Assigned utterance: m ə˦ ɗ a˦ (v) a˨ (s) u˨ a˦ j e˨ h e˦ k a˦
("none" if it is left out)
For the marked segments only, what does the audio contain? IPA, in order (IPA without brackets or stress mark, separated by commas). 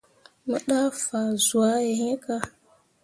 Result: f, z